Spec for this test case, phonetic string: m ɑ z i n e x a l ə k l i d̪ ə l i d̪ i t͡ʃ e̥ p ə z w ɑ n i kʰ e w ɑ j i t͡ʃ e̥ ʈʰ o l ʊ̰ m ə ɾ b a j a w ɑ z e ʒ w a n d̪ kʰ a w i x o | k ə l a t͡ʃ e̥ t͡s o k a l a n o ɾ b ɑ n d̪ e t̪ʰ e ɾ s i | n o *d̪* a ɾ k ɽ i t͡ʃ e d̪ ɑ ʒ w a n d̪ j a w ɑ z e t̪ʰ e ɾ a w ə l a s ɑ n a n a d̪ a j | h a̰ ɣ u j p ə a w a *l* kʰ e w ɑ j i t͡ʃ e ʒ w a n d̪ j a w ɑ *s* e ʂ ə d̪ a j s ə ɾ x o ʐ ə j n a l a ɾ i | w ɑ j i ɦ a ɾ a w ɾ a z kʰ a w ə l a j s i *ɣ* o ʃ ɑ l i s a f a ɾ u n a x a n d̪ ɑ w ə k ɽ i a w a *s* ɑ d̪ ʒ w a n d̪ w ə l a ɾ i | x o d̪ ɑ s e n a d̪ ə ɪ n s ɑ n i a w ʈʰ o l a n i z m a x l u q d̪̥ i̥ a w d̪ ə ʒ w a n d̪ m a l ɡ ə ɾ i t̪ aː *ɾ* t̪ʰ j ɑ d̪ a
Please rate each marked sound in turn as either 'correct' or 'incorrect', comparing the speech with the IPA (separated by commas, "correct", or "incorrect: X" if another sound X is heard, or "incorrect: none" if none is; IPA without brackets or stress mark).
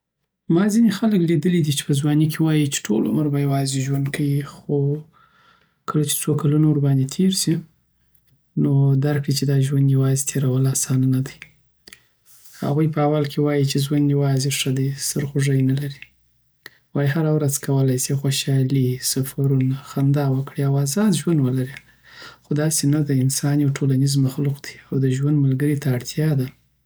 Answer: correct, correct, incorrect: z, incorrect: x, incorrect: z, incorrect: ɽ